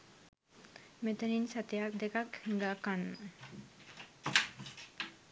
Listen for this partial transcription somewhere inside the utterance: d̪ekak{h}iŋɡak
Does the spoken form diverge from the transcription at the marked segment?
no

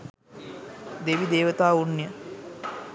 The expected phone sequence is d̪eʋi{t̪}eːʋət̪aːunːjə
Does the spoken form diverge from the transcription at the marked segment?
yes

